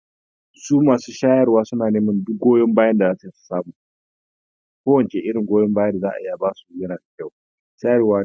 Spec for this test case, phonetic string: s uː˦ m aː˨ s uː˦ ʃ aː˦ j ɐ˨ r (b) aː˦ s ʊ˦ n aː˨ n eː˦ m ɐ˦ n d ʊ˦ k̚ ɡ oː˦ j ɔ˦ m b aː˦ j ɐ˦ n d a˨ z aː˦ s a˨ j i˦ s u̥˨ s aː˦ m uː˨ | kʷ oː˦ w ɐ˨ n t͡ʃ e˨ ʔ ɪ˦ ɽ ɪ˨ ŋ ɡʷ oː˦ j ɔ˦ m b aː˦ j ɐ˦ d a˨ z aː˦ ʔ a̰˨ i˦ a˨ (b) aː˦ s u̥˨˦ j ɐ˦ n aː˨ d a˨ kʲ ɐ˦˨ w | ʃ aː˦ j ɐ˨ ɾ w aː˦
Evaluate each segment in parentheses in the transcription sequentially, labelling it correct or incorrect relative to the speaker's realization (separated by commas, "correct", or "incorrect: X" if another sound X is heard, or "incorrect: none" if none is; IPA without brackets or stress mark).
incorrect: w, correct